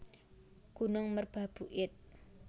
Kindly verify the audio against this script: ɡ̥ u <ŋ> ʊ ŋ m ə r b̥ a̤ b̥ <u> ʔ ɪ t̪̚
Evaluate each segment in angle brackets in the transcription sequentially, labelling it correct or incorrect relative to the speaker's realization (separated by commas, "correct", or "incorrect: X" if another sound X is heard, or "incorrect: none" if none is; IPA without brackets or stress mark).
incorrect: n, correct